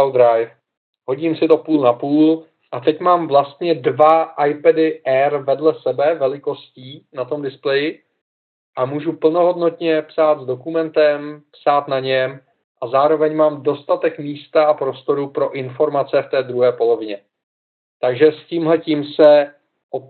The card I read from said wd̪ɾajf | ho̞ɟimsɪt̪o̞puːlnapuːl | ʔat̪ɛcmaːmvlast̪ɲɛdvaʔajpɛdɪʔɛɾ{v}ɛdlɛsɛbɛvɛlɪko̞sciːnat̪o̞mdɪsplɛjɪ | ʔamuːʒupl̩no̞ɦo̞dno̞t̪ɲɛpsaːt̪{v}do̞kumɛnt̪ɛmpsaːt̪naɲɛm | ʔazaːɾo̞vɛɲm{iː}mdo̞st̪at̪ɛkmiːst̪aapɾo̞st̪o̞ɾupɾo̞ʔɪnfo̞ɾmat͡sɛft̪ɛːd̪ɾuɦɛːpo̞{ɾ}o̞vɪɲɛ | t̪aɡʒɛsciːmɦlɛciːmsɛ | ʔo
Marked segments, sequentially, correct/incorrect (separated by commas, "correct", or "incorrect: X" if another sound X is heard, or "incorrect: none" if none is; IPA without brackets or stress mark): correct, incorrect: z, incorrect: aː, incorrect: l